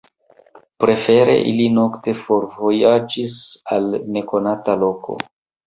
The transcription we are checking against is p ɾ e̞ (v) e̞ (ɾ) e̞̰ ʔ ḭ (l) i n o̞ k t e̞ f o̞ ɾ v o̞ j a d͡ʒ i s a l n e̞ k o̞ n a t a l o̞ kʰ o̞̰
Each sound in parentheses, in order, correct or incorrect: incorrect, correct, correct

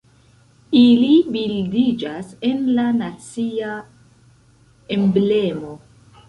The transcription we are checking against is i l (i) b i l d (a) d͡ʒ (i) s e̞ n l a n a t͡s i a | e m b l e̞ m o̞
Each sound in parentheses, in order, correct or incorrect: correct, incorrect, incorrect

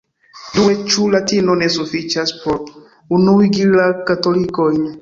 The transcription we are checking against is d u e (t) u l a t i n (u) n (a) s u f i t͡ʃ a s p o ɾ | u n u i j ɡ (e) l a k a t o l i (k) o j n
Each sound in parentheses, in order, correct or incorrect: incorrect, incorrect, incorrect, incorrect, correct

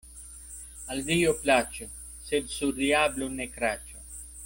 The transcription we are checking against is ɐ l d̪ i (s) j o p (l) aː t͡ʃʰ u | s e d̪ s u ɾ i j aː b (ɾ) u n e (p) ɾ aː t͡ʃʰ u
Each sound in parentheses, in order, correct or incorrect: incorrect, correct, incorrect, incorrect

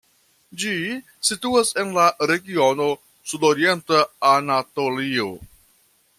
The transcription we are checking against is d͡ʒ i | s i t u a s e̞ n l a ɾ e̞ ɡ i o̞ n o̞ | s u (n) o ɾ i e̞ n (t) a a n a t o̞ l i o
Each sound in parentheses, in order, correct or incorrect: incorrect, correct

